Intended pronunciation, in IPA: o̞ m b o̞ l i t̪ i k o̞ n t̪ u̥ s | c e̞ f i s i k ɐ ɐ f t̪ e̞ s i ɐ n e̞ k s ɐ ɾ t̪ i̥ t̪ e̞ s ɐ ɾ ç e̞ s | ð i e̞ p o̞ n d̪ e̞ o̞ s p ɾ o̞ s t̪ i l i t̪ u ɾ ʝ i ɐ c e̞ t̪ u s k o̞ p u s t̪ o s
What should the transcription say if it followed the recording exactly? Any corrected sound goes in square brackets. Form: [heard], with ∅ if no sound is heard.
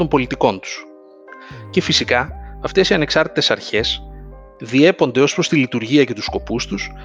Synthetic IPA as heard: o̞ m b o̞ l i t̪ i k o̞ n t̪ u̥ s | c e̞ f i s i k ɐ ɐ f t̪ e̞ s i ɐ n e̞ k s ɐ ɾ t̪ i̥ t̪ e̞ s ɐ ɾ ç e̞ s | ð i e̞ p o̞ n d̪ e̞ o̞ s p ɾ o̞ s t̪ i l i t̪ u ɾ ʝ i ɐ c e̞ t̪ u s k o̞ p u s t̪ [u] s